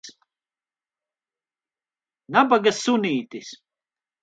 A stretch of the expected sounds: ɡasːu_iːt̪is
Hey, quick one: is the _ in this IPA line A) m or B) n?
B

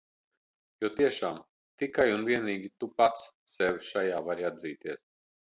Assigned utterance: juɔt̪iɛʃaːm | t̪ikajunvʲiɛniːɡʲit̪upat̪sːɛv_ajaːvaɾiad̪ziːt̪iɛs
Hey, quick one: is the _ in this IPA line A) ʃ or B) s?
A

